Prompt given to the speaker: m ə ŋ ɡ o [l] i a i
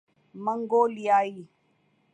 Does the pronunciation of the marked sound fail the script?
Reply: no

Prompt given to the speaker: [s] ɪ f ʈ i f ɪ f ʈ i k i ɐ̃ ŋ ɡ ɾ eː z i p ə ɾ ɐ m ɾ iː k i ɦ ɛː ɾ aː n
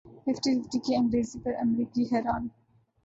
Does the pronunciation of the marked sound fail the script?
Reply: yes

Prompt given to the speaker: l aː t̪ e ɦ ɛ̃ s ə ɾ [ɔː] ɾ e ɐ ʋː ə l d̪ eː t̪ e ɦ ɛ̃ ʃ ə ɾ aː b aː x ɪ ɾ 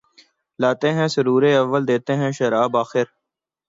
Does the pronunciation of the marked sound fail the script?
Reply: yes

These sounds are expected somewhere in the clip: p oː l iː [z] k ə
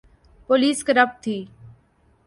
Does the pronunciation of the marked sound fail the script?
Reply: yes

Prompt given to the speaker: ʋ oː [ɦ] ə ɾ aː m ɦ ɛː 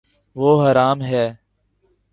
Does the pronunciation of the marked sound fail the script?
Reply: no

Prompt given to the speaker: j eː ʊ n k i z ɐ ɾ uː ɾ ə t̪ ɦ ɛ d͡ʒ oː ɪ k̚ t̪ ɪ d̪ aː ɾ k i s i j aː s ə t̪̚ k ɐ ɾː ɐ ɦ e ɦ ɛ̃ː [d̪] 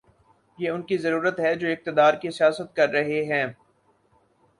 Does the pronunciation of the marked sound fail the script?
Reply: yes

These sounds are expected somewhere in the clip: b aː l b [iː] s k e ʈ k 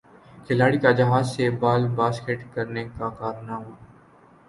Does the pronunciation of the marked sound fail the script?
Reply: yes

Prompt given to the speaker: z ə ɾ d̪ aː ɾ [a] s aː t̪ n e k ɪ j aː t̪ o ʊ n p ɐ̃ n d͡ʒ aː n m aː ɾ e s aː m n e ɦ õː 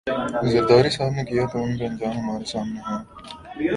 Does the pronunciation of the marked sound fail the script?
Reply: yes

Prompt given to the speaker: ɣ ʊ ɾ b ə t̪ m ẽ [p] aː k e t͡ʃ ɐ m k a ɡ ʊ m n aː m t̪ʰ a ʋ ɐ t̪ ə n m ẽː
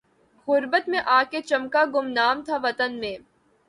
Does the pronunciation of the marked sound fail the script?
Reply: yes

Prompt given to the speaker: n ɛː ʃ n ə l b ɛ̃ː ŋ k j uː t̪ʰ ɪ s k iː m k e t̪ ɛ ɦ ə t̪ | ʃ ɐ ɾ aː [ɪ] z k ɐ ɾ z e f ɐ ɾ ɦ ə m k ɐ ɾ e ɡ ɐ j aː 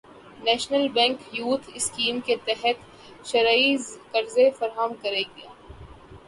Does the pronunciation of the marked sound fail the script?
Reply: yes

